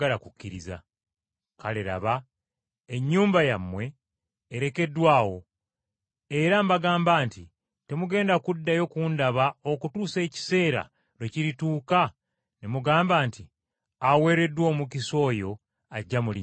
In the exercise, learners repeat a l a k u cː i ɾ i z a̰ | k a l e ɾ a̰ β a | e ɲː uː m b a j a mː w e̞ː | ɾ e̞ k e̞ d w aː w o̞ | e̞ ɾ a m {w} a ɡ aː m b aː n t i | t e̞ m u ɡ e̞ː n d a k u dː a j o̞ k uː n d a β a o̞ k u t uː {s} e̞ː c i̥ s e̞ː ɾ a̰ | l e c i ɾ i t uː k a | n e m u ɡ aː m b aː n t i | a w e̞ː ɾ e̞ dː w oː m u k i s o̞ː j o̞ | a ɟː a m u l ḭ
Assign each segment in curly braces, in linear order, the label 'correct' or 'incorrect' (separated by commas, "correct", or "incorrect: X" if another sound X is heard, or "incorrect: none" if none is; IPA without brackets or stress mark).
incorrect: b, correct